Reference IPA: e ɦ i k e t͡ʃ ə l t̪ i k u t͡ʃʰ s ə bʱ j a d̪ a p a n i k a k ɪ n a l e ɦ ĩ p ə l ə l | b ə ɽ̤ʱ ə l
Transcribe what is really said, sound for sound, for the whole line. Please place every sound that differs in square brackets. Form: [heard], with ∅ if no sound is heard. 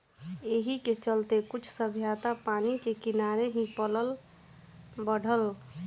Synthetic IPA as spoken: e ɦ i k e t͡ʃ ə l t̪ [e] k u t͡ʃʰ s ə bʱ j a [t̪] a p a n i k [e] k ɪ n a [ɾ] e ɦ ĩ p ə l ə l | b ə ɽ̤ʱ ə l